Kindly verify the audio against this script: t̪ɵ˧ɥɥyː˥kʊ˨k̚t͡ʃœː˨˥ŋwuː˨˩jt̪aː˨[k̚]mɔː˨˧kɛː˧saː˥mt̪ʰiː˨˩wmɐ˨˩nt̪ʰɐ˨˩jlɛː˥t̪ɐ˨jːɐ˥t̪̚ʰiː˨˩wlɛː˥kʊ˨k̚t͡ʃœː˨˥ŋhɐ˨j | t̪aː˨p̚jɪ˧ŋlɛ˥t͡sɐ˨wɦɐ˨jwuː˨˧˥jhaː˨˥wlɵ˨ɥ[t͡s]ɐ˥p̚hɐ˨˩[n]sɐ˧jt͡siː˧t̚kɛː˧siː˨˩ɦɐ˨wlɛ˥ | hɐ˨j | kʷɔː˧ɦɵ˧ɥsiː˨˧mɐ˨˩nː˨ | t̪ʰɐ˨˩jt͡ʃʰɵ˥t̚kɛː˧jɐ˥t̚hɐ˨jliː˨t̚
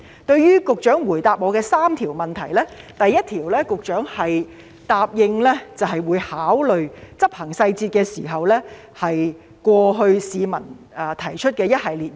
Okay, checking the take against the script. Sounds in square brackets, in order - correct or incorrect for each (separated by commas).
incorrect, correct, incorrect